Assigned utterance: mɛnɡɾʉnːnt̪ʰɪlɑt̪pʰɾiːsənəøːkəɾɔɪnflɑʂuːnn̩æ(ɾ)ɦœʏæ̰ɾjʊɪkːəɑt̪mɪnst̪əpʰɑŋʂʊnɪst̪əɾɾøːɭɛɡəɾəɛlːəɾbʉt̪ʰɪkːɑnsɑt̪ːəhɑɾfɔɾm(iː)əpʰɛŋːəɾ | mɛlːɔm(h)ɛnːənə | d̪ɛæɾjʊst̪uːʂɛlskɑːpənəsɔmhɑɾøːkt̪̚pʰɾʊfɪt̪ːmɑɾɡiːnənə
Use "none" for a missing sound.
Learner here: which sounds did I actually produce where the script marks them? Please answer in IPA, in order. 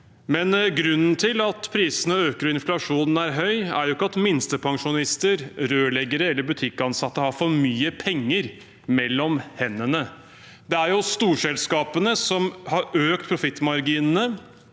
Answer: ɾ, yː, h

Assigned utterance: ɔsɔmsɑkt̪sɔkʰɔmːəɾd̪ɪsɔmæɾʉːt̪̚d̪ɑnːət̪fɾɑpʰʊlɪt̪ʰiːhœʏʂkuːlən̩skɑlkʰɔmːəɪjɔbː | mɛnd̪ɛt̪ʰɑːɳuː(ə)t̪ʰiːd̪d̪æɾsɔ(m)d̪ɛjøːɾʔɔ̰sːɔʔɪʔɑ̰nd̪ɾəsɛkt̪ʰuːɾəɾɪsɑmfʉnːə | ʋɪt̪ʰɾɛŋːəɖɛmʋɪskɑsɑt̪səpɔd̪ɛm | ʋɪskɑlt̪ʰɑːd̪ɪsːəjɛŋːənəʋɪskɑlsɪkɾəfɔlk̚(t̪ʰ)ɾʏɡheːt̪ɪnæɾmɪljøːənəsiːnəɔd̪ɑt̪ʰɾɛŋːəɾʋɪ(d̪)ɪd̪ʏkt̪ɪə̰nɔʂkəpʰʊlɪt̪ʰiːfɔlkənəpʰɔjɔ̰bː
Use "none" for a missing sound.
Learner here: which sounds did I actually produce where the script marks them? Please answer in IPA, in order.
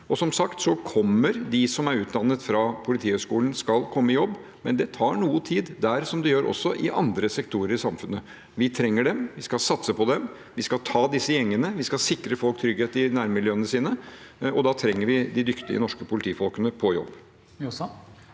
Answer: ə, m, t̪ʰ, d̪

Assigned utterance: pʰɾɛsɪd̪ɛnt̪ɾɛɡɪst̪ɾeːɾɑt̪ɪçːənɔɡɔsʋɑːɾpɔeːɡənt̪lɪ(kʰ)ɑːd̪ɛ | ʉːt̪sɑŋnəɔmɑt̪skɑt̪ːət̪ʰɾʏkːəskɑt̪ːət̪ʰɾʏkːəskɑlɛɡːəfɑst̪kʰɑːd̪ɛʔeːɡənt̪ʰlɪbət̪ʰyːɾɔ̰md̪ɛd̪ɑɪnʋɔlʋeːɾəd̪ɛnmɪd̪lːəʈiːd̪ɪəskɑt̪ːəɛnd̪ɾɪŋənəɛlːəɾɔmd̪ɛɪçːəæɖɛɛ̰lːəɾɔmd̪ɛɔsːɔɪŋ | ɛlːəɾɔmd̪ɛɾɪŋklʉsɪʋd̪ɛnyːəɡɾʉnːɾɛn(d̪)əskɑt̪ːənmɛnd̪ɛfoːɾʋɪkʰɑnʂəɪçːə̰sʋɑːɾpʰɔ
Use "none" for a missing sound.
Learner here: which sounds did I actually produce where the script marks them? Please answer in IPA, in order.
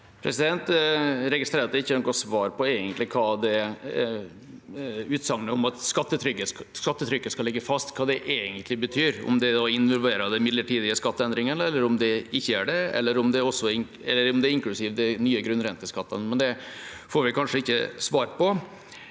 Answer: kʰ, t̪

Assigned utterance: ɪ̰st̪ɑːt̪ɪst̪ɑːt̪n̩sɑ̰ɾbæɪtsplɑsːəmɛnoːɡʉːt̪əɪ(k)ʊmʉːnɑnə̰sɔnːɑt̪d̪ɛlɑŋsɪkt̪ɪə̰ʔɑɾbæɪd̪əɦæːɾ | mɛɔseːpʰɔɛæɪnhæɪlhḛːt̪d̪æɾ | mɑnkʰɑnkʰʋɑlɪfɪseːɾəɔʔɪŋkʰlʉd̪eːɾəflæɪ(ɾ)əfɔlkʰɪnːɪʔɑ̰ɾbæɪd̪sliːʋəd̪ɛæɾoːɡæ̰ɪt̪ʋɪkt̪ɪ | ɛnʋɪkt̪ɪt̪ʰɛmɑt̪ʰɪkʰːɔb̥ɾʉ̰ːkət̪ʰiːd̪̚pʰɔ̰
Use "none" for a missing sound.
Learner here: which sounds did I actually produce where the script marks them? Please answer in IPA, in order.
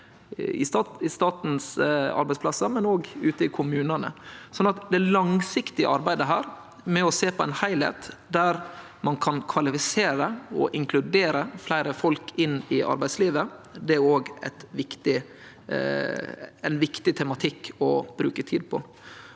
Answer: kʰ, ɾ

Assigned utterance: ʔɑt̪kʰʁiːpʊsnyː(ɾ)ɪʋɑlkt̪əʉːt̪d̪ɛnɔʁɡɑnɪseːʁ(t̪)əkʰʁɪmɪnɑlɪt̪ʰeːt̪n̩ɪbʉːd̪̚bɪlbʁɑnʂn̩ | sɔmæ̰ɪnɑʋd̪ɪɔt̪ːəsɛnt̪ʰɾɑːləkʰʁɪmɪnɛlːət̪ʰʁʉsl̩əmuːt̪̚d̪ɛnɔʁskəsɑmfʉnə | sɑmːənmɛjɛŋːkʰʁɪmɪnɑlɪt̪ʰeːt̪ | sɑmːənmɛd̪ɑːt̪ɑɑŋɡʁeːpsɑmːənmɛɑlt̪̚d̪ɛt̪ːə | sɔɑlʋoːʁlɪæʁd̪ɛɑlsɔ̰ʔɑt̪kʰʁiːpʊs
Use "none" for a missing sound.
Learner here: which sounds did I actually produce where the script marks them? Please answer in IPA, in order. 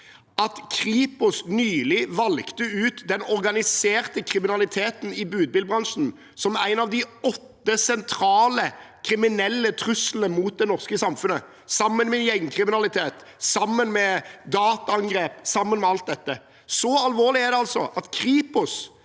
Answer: l, t̪

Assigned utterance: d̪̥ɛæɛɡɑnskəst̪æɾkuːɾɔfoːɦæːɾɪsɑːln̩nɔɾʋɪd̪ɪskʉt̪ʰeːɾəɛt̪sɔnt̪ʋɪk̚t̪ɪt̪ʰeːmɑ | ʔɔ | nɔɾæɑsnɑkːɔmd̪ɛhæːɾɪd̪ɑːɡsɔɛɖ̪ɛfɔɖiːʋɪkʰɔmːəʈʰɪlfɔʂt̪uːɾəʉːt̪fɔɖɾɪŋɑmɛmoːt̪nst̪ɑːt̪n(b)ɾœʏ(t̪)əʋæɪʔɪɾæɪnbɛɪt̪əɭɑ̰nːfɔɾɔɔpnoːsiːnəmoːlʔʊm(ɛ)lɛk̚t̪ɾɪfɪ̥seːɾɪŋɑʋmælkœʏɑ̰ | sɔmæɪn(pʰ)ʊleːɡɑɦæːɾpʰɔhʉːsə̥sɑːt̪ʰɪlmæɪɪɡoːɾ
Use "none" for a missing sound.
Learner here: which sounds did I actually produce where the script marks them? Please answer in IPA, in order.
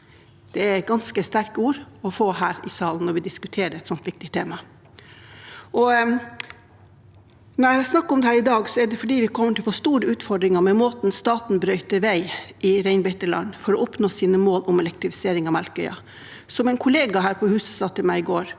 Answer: b, t̪, ɛ, kʰ

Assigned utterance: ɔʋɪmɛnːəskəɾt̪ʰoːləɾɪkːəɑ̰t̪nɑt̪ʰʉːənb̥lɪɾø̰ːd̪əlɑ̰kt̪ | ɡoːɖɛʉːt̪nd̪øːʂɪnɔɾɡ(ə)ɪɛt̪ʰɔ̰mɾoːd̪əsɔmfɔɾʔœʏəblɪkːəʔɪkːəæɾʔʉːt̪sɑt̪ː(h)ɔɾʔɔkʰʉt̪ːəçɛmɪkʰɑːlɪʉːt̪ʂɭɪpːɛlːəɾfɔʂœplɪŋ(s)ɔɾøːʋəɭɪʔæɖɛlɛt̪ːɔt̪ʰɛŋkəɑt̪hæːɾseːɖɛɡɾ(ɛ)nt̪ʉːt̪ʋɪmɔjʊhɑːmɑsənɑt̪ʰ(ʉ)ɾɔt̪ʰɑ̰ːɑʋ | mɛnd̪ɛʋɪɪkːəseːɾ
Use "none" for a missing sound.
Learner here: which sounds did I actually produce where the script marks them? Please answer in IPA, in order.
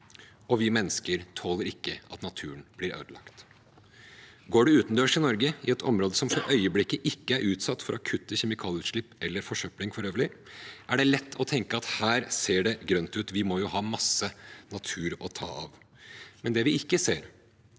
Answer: ə, f, f, œ, ʉː

